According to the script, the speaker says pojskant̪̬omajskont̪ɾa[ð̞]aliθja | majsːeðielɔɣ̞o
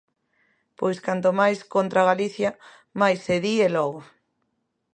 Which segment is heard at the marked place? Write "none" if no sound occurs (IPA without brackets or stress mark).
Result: ɣ̞